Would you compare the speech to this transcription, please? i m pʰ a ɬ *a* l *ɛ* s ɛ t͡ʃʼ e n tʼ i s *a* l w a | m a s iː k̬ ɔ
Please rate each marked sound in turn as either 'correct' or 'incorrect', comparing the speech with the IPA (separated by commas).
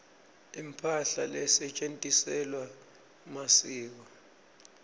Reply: correct, correct, incorrect